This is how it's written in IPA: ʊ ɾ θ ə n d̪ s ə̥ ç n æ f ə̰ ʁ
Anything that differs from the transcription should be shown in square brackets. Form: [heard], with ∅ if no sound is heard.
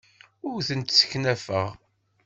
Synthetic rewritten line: ʊ ɾ θ ə n [t̪] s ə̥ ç n æ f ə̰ ʁ

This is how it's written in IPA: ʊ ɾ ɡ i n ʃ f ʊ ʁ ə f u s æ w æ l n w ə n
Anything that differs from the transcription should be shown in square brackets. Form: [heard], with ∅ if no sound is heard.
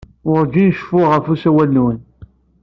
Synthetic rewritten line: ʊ ɾ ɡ i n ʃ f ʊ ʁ ə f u s æ w æ l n w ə n

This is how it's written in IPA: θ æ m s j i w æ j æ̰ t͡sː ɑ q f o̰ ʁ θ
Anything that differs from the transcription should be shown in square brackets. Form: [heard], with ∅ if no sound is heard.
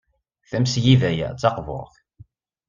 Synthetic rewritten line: θ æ m s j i [v] æ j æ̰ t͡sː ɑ q [v] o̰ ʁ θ

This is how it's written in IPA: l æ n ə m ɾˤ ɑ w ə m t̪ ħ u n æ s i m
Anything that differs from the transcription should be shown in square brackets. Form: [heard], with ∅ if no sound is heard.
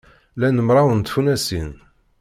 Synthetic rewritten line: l æ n ə m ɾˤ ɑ w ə [n] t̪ [f] u n æ s i [n]

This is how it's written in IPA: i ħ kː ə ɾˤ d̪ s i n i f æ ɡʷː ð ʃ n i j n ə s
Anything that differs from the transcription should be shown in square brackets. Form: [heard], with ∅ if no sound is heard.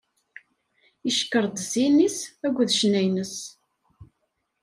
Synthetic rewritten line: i [ʃ] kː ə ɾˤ d̪ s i n i [s] æ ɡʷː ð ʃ n [æ] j n ə s

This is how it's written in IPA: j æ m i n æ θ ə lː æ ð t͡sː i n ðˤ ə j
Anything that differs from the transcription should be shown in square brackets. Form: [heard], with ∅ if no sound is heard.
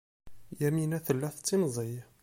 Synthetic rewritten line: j æ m i n æ θ ə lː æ [θ] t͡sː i n [zˤ] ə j

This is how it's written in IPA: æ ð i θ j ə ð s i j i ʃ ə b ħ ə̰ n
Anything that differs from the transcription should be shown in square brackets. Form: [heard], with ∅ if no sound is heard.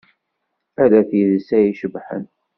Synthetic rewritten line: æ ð [æ] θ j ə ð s [æ] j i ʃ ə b ħ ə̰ n

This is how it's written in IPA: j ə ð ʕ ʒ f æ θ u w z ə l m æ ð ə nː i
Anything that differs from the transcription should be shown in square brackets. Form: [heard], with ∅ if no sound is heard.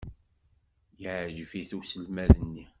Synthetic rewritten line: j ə [∅] ʕ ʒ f [i] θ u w [s] ə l m æ ð ə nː i

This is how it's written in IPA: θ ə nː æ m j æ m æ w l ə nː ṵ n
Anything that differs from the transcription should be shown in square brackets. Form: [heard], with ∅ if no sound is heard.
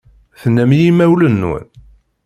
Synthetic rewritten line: θ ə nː æ m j [i] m æ w l ə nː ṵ n

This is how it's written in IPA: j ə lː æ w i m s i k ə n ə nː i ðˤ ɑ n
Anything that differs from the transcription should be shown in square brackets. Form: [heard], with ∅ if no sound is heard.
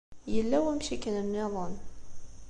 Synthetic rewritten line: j ə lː æ w [æ] m [ʃ] i k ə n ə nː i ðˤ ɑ n

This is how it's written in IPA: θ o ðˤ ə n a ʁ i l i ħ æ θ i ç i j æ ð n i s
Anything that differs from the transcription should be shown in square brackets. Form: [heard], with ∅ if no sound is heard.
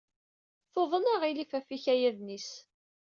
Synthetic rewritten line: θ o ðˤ ə n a ʁ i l i [f] æ [f] i ç [æ] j æ ð n i s

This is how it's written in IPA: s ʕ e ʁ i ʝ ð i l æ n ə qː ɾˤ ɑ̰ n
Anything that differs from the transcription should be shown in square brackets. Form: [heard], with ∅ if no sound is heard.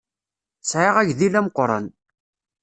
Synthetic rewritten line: s ʕ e ʁ [æ] ʝ ð i l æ [m] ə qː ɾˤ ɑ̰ n

